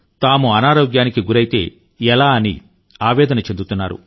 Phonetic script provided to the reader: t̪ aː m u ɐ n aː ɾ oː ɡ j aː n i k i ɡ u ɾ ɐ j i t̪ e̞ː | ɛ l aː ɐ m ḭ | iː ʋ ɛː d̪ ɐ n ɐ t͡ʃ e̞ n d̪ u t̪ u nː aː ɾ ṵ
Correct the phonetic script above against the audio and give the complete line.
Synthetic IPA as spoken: t̪ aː m u ɐ n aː ɾ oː ɡ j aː n i k i ɡ u ɾ ɐ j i t̪ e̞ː | ɛ l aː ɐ n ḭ | aː ʋ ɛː d̪ ɐ n ɐ t͡ʃ e̞ n d̪ u t̪ u nː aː ɾ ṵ